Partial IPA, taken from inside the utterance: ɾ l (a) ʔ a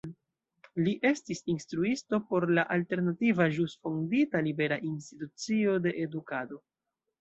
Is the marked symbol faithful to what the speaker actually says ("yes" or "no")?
yes